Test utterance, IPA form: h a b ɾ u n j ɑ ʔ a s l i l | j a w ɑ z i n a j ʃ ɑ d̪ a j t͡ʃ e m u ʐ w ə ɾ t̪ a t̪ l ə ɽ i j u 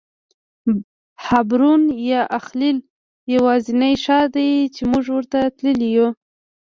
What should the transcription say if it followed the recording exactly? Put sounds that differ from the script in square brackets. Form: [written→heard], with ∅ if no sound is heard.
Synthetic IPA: h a b ɾ u n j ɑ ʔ a [s→x] l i l | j a w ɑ z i n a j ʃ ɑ d̪ a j t͡ʃ e m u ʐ w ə ɾ t̪ a t̪ l ə [ɽ→l] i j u

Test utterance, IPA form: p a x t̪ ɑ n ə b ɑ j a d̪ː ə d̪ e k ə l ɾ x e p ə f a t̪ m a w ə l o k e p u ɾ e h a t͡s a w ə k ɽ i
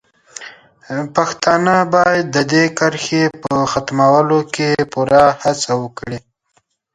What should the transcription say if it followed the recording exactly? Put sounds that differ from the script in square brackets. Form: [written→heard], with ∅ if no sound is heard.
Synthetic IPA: p a x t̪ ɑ n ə b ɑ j a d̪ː ə d̪ e k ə [l→∅] ɾ x e p ə [f→x] a t̪ m a w ə l o k e p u ɾ [e→a] h a t͡s a w ə k ɽ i

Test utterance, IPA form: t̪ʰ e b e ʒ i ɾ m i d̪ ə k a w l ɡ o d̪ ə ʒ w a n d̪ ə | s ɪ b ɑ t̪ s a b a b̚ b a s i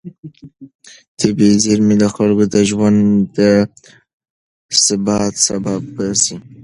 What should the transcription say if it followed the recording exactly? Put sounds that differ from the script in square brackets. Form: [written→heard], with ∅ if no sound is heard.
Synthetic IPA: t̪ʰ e b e [ʒ→z] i ɾ m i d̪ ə [k→x] a [w→∅] l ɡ o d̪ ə ʒ w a n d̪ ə | s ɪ b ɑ t̪ s a b a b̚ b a s i

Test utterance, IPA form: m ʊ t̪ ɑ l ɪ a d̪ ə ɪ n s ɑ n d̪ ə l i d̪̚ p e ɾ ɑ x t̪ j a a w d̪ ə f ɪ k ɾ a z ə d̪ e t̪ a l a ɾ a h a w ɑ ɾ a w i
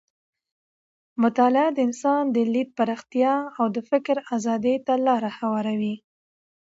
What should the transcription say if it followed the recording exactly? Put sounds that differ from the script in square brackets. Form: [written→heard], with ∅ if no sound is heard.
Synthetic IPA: m ʊ t̪ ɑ l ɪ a d̪ ə ɪ n s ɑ n d̪ ə l i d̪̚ p [e→a] ɾ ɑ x t̪ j [a→ɑ] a w d̪ ə f ɪ k ɾ a z [ə→ɑ] d̪ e t̪ a l [a→ɑ] ɾ a h a w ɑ ɾ a w i

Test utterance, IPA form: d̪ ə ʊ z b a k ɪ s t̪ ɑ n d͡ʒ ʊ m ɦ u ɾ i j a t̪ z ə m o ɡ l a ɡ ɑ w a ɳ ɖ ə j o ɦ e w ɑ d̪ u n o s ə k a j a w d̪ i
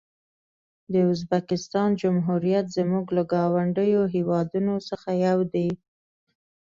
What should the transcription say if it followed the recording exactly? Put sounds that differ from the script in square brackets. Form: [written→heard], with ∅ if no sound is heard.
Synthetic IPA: d̪ ə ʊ z b a k ɪ s t̪ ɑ n d͡ʒ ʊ m ɦ u ɾ i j a t̪ z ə m [o→u] ɡ l a ɡ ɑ w a ɳ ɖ ə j o ɦ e w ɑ d̪ u n o s ə [k→x] a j a w d̪ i

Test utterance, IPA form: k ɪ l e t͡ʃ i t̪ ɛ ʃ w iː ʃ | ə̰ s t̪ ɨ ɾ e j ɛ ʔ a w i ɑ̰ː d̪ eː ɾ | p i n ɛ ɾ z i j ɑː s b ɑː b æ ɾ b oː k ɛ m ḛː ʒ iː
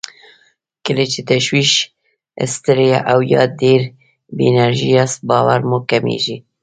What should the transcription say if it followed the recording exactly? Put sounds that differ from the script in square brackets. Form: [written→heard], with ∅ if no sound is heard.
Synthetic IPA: k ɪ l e t͡ʃ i t̪ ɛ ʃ w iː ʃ | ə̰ s t̪ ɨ ɾ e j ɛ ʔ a w [i→j] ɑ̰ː d̪ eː ɾ | [p→b] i n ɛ ɾ [z→ʒ] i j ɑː s b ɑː [b→w] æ ɾ [b→m] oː k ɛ m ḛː ʒ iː

